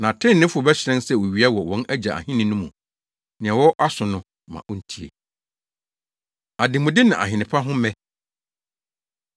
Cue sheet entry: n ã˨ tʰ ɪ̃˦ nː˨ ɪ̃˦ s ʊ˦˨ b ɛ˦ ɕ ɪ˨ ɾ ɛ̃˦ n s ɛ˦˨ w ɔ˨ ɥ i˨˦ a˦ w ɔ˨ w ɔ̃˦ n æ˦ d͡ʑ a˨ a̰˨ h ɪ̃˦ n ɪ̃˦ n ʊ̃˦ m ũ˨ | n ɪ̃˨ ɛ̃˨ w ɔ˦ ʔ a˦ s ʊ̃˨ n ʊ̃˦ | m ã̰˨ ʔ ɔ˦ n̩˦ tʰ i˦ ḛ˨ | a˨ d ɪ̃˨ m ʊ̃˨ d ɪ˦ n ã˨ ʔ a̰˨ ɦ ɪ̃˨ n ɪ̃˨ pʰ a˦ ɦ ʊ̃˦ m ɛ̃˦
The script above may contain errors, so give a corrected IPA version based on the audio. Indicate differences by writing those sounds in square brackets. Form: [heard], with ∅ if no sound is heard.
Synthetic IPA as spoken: n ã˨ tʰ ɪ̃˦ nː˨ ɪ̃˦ [f] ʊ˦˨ b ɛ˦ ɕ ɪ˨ ɾ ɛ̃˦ n s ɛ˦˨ w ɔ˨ ɥ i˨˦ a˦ w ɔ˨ w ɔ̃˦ n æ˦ d͡ʑ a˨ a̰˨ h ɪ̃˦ n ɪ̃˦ n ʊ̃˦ m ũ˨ | n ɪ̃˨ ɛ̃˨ w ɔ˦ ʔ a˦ s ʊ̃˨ n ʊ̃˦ | m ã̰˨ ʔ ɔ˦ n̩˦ tʰ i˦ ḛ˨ | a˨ d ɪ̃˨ m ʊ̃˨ d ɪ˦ n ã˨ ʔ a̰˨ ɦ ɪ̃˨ n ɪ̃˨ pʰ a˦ ɦ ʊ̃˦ m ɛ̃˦